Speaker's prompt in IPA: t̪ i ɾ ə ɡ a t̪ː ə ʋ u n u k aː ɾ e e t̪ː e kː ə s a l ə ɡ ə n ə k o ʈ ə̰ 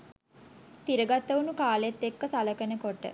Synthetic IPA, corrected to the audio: t̪ i ɾ ə ɡ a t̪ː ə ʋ u n u k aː l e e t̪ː e kː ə s a l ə k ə n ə k o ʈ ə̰